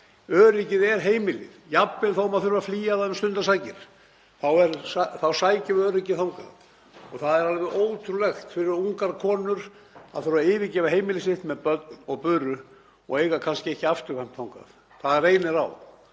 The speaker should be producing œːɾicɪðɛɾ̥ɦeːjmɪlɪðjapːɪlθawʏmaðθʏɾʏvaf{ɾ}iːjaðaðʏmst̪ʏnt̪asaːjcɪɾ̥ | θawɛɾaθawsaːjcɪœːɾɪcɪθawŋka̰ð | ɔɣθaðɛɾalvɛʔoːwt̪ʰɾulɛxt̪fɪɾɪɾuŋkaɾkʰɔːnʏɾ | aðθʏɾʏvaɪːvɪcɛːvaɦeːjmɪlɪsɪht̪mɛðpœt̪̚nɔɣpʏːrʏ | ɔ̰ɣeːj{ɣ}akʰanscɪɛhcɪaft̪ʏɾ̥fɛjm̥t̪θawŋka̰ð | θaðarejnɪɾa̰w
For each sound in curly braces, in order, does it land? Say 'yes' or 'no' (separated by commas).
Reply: no, yes